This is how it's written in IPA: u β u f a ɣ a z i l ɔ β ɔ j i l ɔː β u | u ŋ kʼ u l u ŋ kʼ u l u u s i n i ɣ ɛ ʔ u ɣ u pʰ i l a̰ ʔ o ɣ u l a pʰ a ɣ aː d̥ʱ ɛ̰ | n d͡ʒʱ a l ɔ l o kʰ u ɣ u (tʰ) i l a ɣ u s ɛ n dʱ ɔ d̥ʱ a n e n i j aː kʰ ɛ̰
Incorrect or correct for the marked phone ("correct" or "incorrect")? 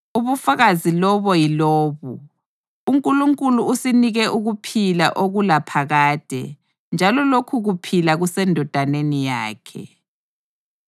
incorrect